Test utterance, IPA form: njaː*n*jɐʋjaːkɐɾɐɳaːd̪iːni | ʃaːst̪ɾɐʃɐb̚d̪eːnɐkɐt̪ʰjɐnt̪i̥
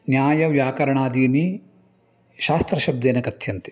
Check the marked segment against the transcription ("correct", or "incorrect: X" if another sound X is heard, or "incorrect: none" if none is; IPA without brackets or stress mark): incorrect: none